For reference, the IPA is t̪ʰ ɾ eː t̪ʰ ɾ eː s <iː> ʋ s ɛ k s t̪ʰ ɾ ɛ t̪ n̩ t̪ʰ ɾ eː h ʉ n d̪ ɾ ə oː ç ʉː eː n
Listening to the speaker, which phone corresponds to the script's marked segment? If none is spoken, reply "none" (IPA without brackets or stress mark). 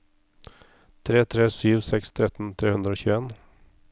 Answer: yː